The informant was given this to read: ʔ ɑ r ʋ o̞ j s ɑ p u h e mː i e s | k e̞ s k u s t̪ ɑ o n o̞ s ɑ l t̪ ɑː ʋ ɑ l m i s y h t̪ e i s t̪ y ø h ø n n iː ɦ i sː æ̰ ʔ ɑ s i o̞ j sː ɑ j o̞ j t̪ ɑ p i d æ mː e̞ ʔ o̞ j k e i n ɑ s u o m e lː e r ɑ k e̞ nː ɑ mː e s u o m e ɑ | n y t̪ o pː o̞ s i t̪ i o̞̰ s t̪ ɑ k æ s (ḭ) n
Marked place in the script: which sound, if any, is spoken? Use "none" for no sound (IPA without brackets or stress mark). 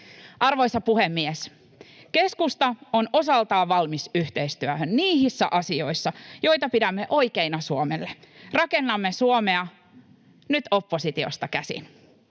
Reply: ḭ